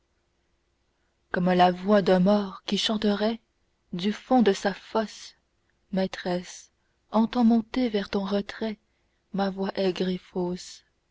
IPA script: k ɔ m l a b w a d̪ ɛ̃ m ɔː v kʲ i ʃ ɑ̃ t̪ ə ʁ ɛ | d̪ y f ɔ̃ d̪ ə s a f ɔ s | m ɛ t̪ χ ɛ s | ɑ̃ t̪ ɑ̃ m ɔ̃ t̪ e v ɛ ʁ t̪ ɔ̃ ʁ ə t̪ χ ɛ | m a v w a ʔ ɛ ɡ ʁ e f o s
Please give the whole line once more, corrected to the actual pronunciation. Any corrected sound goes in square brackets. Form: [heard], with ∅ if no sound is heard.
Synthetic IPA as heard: k ɔ m l a [v] w a d̪ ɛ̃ m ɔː [ʁ] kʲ i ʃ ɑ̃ t̪ ə ʁ ɛ | d̪ y f ɔ̃ d̪ ə s a f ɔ s | m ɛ t̪ χ ɛ s | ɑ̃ t̪ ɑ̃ m ɔ̃ t̪ e v ɛ ʁ t̪ ɔ̃ ʁ ə t̪ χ ɛ | m a v w a ʔ ɛ ɡ ʁ e f o s